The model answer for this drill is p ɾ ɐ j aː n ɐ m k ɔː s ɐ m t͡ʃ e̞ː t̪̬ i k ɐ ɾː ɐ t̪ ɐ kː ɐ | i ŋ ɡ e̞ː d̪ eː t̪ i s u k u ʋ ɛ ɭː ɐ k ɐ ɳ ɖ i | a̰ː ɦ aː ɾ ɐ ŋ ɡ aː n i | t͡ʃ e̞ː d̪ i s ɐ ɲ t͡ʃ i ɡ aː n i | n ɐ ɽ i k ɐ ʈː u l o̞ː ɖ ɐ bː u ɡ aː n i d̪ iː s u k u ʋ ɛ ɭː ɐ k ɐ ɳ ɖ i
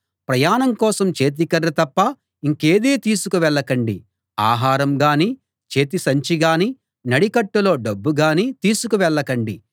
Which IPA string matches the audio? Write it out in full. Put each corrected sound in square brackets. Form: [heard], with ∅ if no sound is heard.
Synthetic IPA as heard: p ɾ ɐ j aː n ɐ m k ɔː s ɐ m t͡ʃ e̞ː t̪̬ i k ɐ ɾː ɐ t̪ ɐ [pː] ɐ | i ŋ [k] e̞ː d̪ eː t̪ [iː] s u k u ʋ ɛ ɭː ɐ k ɐ ɳ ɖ i | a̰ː ɦ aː ɾ ɐ [m] ɡ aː n i | t͡ʃ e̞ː [t̪] i s ɐ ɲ t͡ʃ i ɡ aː n i | n ɐ ɽ i k ɐ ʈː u l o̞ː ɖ ɐ bː u ɡ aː n i [t̪] iː s u k u ʋ ɛ ɭː ɐ k ɐ ɳ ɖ i